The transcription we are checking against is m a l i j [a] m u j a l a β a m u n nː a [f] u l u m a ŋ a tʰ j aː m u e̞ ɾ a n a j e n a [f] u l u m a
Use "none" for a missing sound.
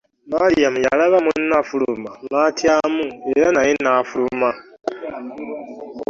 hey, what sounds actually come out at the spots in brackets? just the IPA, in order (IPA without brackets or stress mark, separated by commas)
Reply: a, f, f